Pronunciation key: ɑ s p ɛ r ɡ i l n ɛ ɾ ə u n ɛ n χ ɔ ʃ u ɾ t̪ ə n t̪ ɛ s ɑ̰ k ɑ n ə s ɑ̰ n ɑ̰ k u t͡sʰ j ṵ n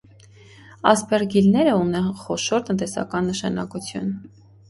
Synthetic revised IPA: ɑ s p ɛ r ɡ i l n ɛ ɾ ə u n ɛ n χ ɔ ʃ ɔ ɾ t̪ ə n t̪ ɛ s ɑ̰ k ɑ nː ə ʃ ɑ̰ n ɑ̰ k u t͡sʰ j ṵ n